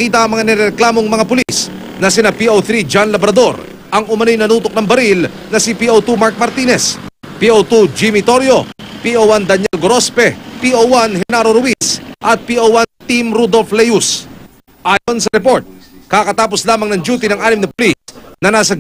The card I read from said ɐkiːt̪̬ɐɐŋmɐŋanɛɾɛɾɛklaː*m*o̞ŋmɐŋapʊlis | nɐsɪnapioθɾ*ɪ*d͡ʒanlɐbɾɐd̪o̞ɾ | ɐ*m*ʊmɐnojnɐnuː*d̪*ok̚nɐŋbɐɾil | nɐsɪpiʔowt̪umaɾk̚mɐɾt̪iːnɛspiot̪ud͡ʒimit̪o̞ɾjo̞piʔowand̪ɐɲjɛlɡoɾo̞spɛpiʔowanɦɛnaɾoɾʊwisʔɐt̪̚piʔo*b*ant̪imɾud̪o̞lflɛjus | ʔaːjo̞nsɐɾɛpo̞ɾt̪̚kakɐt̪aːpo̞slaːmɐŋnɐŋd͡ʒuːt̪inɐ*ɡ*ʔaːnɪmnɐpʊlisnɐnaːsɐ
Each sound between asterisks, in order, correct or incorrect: correct, incorrect, incorrect, incorrect, incorrect, incorrect

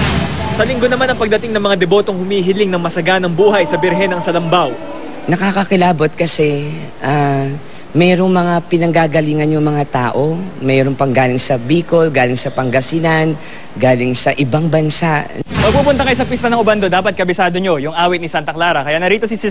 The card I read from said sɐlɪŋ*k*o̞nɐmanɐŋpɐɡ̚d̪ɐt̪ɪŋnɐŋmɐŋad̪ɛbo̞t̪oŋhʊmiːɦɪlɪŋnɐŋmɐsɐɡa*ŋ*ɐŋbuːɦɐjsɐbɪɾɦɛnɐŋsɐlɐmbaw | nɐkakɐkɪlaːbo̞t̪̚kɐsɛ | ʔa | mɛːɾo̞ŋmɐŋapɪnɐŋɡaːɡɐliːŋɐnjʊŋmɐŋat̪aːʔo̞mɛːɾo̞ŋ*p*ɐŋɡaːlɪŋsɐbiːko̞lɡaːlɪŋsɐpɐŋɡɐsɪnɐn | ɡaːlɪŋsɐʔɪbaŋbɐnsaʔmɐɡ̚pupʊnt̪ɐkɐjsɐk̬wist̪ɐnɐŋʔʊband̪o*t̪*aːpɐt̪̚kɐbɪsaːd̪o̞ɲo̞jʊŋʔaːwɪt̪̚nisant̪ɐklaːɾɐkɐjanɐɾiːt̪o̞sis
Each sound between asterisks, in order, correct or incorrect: incorrect, incorrect, correct, incorrect

